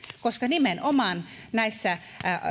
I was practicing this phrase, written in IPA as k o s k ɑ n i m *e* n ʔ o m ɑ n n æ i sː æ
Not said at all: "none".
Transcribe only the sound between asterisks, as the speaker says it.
e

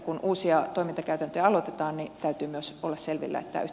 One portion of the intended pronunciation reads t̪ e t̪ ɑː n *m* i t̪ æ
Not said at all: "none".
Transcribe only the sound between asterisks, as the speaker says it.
n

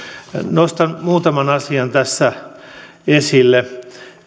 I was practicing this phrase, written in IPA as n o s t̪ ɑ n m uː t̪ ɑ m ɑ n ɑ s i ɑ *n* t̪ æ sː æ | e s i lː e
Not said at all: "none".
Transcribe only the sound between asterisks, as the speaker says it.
n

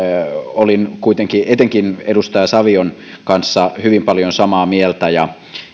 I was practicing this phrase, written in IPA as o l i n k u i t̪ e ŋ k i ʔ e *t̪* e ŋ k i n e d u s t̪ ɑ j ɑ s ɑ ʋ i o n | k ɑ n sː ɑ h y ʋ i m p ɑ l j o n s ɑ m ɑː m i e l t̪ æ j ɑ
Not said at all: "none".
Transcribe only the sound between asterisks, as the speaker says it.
t̪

